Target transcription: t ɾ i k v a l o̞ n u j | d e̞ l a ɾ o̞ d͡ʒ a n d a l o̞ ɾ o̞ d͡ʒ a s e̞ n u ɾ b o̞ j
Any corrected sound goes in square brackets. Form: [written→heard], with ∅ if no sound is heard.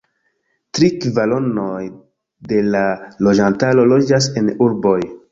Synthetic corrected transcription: t ɾ i k v a l o̞ n [u→o] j | d e̞ l a [ɾ→l] o̞ d͡ʒ a n [d→t] a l o̞ [ɾ→l] o̞ d͡ʒ a s e̞ n u ɾ b o̞ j